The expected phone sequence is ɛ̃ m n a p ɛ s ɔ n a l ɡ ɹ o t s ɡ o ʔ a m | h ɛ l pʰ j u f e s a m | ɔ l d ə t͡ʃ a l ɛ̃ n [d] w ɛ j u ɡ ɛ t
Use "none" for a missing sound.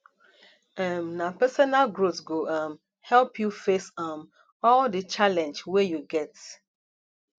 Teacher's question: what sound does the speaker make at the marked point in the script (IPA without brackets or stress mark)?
d͡ʒ